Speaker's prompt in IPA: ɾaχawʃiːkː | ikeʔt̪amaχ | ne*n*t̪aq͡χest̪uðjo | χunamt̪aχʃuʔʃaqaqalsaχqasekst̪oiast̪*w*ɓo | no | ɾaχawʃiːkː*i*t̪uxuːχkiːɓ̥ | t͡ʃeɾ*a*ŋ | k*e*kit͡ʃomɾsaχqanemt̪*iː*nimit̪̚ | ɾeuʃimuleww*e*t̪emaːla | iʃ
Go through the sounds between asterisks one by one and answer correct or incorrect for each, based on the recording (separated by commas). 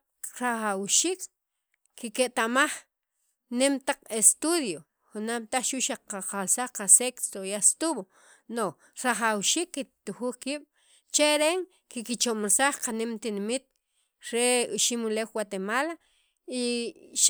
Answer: incorrect, incorrect, correct, incorrect, incorrect, incorrect, incorrect